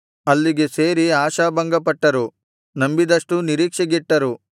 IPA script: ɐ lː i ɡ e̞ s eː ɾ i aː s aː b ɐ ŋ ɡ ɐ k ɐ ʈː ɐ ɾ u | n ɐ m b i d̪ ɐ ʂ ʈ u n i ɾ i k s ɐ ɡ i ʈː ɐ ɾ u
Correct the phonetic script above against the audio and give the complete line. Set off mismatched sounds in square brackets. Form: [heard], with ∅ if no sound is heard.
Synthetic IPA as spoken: ɐ lː i ɡ e̞ s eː ɾ i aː [ʃ] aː b ɐ ŋ ɡ ɐ [p] ɐ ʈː ɐ ɾ u | n ɐ m b i d̪ ɐ ʂ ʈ u n i ɾ [iː] k [ʂ] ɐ ɡ i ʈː ɐ ɾ u